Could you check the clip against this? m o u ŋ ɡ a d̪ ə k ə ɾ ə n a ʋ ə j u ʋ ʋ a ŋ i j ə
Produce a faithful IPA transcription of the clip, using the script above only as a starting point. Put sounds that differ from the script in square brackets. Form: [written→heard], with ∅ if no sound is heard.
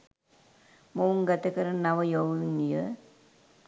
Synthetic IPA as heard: m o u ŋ ɡ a [d̪→t̪] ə k ə ɾ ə n a ʋ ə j [u→o] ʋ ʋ [a→i] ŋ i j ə